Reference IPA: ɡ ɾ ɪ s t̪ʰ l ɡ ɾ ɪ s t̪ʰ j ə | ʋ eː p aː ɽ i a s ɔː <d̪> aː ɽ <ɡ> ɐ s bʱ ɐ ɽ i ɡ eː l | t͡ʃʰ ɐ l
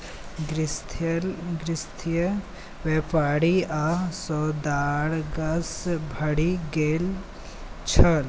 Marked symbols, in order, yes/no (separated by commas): yes, yes